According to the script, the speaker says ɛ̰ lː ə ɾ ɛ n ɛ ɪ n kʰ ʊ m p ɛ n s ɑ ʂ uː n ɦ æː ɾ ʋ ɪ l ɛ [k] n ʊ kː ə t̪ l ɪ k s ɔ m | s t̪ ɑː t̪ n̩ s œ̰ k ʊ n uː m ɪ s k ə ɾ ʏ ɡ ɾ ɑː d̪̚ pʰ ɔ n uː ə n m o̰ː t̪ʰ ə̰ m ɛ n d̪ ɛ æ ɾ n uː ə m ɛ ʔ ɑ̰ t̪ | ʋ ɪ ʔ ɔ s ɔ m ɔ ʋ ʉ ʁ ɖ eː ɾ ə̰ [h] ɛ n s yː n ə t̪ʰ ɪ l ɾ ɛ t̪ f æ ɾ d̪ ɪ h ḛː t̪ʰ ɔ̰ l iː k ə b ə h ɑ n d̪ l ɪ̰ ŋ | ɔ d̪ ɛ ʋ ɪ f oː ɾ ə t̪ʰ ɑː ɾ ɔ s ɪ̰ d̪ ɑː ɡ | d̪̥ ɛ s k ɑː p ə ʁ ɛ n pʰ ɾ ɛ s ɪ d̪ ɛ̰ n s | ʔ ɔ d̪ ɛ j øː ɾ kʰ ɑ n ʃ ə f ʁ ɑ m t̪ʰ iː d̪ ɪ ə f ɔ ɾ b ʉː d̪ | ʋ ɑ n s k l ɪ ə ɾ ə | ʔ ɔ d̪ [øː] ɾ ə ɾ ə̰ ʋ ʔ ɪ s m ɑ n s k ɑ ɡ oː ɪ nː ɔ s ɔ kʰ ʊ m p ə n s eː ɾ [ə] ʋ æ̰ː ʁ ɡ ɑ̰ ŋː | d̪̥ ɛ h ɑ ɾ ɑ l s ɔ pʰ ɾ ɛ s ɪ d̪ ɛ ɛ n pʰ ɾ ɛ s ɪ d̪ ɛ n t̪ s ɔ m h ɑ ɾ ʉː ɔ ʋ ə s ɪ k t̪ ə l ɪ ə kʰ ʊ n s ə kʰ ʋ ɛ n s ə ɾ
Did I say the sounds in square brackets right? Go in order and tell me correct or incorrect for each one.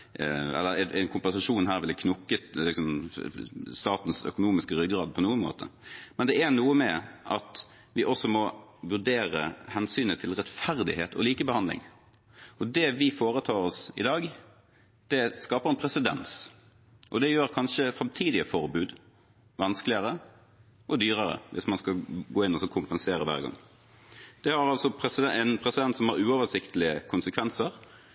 incorrect: kʰ, correct, incorrect: yː, correct

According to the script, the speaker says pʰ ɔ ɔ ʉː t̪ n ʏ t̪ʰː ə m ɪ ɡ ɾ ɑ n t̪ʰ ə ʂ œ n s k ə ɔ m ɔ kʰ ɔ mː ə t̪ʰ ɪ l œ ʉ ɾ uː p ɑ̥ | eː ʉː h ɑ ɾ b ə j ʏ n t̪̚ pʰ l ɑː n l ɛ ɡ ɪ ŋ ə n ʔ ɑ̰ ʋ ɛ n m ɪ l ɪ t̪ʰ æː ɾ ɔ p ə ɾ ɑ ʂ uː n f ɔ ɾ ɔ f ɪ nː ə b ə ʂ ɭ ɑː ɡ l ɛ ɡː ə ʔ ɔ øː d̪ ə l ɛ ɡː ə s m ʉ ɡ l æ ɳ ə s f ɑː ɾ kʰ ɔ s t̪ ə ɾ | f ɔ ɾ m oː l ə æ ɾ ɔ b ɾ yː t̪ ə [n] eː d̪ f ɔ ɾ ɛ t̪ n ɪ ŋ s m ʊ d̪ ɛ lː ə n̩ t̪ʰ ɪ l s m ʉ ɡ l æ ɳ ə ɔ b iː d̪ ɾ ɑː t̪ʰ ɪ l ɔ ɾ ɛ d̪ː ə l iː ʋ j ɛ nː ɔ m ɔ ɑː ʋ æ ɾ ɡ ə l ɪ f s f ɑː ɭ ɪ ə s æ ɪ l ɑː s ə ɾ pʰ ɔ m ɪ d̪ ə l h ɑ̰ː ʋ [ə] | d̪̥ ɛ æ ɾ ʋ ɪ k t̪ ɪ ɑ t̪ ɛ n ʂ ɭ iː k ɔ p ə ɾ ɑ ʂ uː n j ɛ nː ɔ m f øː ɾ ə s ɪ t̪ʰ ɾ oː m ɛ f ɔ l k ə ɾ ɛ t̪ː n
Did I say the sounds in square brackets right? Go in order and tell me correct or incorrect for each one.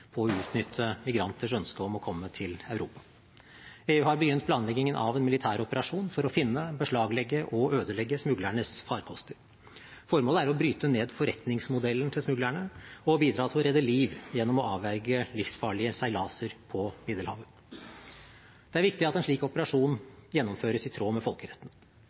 correct, correct

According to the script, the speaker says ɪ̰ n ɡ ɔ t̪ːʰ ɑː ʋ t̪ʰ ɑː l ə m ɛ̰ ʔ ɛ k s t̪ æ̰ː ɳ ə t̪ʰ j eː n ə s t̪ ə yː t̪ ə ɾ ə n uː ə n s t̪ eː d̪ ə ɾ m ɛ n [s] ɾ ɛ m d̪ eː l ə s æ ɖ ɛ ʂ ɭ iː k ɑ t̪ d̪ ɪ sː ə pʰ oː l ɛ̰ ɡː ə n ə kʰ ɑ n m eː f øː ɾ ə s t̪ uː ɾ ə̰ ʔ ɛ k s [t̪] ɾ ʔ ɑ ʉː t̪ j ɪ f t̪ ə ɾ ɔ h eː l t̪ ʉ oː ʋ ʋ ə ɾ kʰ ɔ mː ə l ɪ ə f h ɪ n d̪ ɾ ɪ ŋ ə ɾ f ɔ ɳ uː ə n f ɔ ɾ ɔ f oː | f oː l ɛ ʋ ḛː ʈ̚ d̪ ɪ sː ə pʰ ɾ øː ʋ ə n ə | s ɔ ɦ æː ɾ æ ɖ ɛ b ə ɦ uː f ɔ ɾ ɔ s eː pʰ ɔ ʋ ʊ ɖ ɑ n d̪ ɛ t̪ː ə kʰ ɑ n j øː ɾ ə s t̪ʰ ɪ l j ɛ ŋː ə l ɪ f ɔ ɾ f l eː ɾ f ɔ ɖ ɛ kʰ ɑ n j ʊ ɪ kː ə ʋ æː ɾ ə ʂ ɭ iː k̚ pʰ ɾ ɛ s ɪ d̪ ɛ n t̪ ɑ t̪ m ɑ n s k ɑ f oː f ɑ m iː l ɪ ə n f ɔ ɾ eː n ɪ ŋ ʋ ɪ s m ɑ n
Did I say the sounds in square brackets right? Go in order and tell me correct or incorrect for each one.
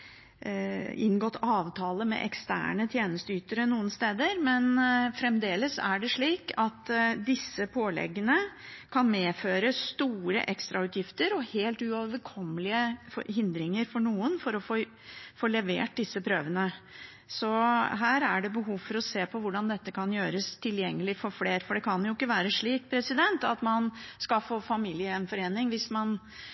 incorrect: f, correct

